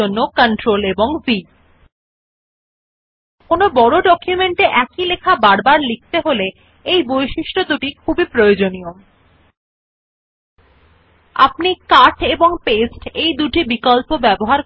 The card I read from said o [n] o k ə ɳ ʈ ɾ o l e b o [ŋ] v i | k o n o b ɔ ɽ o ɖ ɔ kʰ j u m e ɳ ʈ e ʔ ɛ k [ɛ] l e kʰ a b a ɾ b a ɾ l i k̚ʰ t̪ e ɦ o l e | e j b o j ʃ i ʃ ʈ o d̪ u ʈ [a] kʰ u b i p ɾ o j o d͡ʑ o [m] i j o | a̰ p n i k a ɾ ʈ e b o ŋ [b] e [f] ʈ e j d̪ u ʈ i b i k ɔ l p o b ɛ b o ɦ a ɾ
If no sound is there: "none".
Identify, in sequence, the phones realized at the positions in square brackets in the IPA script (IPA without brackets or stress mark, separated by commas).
nː, ŋ, i, i, n, p, s